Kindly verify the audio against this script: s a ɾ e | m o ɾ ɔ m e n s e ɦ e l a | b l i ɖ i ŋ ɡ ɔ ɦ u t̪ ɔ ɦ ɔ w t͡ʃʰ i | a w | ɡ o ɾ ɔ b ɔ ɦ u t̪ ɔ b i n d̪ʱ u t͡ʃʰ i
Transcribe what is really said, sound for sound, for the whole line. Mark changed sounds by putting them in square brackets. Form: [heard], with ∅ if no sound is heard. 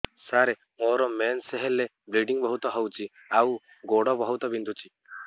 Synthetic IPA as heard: s a ɾ e | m o ɾ ɔ m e n s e ɦ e l [e] | b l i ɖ i ŋ [b] ɔ ɦ u t̪ ɔ ɦ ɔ w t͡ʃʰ i | a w | ɡ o [ɽ] ɔ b ɔ ɦ u t̪ ɔ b i n d̪ʱ u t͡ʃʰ i